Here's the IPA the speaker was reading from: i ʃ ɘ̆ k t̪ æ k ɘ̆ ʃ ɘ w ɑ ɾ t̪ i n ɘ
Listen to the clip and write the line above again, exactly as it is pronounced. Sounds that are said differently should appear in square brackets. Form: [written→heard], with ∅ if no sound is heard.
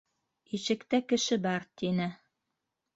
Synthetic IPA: i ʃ ɘ̆ k t̪ æ k ɘ̆ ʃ ɘ [w→b] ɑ ɾ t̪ i n ɘ